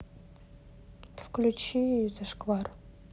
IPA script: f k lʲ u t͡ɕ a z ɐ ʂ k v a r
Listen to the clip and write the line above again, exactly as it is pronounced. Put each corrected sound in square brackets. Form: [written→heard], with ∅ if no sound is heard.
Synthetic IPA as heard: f k lʲ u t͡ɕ [a→i] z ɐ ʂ k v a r

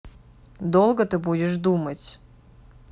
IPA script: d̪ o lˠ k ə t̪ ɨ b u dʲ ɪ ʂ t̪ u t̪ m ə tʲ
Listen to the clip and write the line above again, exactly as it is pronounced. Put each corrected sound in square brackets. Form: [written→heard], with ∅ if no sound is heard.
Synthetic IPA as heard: d̪ o lˠ [k→ɡ] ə t̪ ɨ b u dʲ ɪ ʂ [t̪→d̪] u [t̪→∅] m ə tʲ

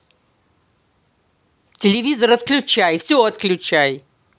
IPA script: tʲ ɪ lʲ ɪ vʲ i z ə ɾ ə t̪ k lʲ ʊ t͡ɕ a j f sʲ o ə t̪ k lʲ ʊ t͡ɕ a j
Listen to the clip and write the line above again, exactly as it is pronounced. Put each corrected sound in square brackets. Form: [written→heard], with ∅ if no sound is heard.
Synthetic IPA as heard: tʲ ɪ lʲ ɪ vʲ i z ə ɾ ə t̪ k lʲ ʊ t͡ɕ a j f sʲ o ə t̪ k lʲ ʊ t͡ɕ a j

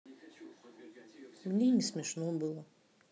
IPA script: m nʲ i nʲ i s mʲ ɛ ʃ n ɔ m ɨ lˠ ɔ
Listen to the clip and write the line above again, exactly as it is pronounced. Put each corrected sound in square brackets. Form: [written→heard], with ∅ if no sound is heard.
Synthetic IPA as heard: m nʲ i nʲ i s mʲ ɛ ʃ n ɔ [m→b] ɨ lˠ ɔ

